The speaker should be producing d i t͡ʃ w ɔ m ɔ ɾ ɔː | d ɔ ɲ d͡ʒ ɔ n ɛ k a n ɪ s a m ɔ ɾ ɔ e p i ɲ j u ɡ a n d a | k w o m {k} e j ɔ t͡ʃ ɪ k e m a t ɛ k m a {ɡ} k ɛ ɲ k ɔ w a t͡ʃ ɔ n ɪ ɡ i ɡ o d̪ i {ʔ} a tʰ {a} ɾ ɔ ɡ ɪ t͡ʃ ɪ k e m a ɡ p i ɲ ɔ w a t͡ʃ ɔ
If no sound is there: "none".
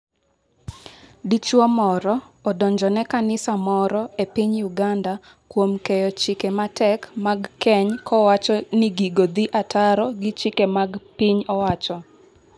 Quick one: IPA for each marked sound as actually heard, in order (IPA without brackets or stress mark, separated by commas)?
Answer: k, ɡ, ʔ, a